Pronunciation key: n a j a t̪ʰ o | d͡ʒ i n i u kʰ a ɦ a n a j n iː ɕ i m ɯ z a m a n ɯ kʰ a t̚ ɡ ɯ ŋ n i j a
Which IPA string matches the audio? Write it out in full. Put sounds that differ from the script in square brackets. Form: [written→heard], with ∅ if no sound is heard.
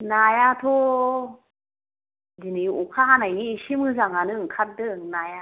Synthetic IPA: n a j a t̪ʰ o | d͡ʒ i n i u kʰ a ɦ a n a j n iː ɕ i m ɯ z a [m→ŋ] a n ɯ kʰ a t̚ [ɡ→d] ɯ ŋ n [i→a] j a